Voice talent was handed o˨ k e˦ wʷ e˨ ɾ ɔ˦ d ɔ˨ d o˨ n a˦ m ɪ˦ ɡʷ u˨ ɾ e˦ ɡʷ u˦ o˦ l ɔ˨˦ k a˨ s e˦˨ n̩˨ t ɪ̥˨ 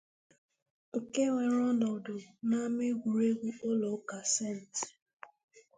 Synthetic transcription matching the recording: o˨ k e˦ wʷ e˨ ɾ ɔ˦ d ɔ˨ d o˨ n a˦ m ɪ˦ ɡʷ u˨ ɾ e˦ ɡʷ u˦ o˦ l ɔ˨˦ k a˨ s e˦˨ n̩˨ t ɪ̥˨